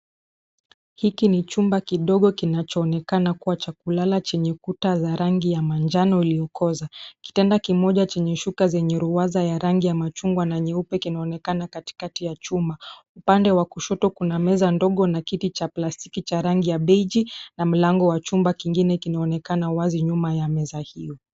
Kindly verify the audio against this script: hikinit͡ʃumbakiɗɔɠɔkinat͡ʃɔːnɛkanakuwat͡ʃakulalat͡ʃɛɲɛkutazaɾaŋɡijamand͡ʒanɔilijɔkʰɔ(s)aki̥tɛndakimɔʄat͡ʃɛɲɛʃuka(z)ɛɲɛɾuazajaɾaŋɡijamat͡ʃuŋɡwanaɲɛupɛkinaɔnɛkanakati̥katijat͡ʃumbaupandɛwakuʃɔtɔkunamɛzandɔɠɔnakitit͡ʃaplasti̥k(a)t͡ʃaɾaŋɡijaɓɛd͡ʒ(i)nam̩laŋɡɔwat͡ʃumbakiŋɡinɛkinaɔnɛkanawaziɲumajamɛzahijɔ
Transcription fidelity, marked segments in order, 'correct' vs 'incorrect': incorrect: z, correct, incorrect: i, correct

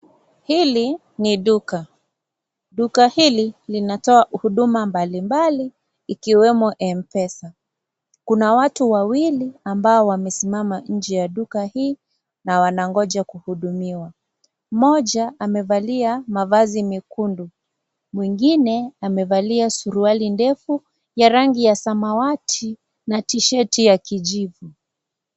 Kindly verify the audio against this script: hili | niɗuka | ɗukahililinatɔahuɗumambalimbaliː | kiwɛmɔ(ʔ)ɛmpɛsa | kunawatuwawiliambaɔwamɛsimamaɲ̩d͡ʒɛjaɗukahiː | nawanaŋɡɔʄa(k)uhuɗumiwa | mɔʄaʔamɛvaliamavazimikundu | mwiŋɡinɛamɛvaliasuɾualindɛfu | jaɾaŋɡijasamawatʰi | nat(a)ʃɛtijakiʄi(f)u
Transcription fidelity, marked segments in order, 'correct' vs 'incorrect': correct, correct, incorrect: i, incorrect: v

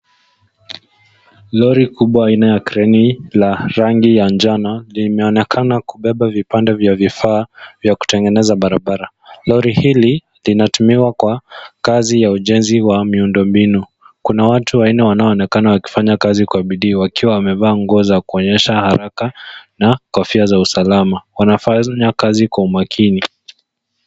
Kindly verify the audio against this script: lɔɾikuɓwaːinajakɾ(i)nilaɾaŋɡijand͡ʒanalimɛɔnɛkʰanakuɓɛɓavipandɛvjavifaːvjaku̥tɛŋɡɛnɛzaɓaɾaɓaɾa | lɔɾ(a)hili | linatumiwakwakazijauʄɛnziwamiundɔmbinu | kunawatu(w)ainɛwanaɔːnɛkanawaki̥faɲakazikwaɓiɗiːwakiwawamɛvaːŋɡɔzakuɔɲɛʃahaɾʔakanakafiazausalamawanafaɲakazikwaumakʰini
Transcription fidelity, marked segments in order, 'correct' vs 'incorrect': incorrect: ɛ, incorrect: i, correct

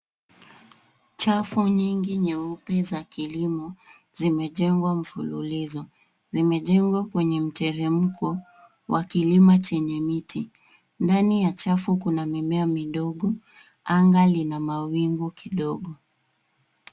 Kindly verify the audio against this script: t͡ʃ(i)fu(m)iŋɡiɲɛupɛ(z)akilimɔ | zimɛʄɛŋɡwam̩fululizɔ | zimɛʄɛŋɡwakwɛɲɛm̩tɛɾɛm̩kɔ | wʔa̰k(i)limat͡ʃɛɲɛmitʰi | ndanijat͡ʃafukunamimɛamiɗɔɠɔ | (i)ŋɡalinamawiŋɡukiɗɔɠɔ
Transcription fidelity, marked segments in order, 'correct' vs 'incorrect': incorrect: a, incorrect: ɲ, correct, correct, incorrect: a

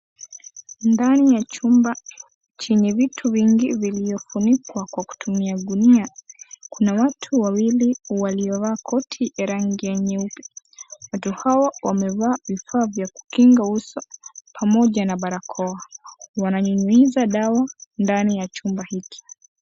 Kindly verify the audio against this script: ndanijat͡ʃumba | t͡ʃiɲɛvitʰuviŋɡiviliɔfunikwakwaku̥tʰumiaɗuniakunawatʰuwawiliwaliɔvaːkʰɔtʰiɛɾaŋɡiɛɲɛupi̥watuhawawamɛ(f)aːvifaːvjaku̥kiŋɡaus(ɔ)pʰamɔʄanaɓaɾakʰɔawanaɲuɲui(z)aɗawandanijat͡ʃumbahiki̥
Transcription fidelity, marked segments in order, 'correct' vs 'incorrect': incorrect: v, correct, correct

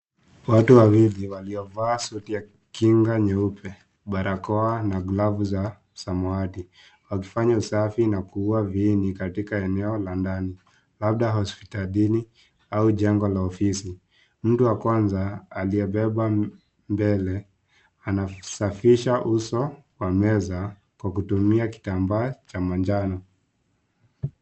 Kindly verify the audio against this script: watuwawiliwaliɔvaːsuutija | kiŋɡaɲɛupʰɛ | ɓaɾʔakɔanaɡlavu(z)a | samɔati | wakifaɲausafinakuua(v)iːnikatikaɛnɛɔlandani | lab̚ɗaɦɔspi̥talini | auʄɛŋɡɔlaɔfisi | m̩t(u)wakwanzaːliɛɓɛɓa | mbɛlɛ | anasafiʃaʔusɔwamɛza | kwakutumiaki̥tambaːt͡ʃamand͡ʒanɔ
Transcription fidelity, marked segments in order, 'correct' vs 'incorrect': correct, correct, correct

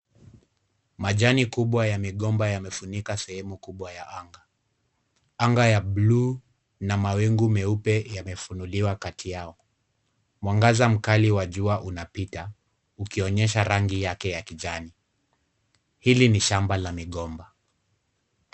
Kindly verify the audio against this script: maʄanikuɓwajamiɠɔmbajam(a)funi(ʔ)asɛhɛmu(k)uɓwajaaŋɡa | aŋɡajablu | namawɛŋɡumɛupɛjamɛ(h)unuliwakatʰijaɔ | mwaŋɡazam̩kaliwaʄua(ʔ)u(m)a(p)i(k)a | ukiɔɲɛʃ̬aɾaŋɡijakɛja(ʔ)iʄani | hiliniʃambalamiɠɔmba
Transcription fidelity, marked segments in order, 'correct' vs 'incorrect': incorrect: ɛ, incorrect: k, correct, incorrect: f, correct, incorrect: n, correct, incorrect: t, incorrect: k

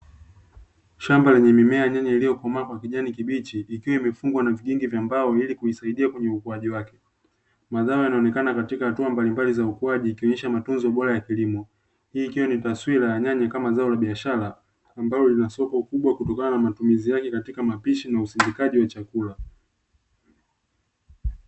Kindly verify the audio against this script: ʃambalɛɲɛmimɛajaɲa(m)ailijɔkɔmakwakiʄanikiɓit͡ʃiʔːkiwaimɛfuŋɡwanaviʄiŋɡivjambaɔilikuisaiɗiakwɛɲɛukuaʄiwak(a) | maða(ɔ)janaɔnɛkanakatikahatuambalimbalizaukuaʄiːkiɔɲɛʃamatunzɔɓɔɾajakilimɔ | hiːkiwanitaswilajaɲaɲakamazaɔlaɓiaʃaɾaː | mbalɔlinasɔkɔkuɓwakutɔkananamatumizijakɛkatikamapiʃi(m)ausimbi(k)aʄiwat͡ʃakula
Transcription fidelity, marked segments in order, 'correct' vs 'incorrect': incorrect: ɲ, incorrect: ɛ, correct, incorrect: n, correct

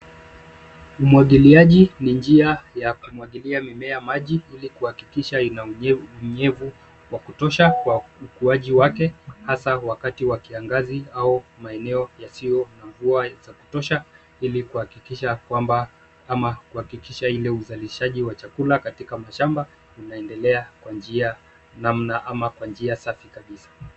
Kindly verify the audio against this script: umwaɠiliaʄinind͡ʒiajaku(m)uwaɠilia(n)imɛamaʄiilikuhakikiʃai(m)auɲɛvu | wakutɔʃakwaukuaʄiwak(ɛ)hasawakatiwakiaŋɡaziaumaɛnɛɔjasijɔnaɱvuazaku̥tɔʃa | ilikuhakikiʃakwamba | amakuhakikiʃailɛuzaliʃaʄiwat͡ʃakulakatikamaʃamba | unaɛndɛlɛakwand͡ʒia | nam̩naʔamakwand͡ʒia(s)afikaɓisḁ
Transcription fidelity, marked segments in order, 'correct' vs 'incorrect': correct, incorrect: m, incorrect: n, correct, correct

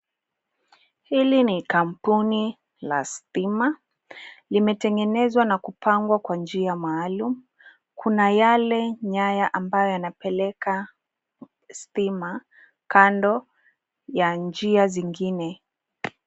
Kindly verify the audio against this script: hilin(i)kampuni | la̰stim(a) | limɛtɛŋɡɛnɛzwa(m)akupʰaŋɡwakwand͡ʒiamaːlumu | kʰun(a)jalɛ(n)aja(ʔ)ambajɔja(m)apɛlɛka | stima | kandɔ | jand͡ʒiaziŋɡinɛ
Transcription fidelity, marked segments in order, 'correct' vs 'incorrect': correct, correct, incorrect: n, correct, incorrect: ɲ, correct, incorrect: n

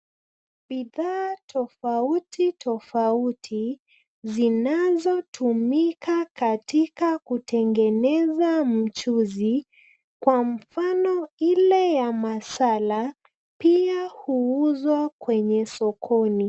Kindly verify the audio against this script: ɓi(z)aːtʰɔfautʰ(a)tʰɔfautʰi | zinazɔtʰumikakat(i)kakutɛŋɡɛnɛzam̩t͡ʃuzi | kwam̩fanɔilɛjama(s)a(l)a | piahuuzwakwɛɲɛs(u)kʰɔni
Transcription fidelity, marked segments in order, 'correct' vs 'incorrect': incorrect: ð, incorrect: i, correct, correct, correct, incorrect: ɔ

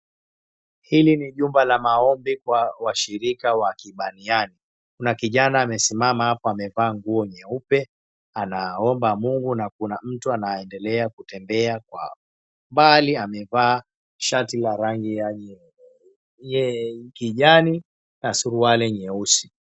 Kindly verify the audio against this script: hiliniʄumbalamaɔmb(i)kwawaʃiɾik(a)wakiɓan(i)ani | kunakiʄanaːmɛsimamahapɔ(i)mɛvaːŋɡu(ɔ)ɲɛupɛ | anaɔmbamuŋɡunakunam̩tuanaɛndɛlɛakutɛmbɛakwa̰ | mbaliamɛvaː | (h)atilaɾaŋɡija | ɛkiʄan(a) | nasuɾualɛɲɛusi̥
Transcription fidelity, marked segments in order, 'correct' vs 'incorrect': correct, correct, correct, incorrect: a, correct, incorrect: ʃ, incorrect: i

